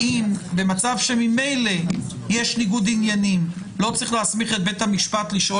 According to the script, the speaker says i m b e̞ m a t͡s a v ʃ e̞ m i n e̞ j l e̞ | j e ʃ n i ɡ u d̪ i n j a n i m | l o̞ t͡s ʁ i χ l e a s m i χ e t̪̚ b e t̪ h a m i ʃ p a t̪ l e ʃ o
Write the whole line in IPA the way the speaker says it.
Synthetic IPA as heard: i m b e̞ m a t͡s a v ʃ e̞ m i m e̞ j l e̞ | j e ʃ n i ɡ u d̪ i n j a n i m | l o̞ t͡s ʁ i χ l e a s m i χ e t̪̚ b e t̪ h a m i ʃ p a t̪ l i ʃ o